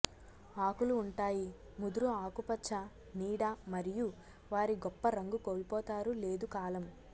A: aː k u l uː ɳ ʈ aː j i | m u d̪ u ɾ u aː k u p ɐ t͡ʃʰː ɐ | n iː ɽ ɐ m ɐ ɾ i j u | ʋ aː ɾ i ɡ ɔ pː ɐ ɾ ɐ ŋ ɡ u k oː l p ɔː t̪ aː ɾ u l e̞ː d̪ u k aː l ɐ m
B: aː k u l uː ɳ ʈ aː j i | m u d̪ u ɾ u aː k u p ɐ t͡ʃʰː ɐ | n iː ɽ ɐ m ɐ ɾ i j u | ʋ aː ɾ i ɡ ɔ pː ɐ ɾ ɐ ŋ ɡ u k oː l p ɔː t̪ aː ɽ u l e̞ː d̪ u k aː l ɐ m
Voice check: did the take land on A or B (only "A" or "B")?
A